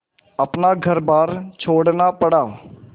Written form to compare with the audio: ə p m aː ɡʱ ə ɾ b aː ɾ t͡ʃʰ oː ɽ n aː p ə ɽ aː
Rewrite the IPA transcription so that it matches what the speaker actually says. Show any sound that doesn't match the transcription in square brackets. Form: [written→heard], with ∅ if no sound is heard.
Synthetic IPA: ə p [m→n] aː ɡʱ ə ɾ b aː ɾ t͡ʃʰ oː ɽ n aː p ə ɽ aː

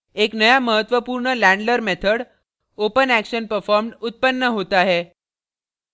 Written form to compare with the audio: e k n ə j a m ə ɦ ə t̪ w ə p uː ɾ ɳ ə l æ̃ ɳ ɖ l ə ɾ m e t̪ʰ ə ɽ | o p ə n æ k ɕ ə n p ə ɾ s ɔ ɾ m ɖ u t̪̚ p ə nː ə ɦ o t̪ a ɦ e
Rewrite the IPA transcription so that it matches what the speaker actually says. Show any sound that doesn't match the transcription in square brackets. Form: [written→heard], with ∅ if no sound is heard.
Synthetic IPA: e k n ə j a m ə ɦ ə t̪ [w→ʋ] ə p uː ɾ ɳ ə l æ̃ ɳ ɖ l ə ɾ m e t̪ʰ ə ɽ | o p ə n æ k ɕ ə n p ə ɾ [s→f] ɔ ɾ m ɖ u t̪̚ p ə nː ə ɦ o t̪ a ɦ e

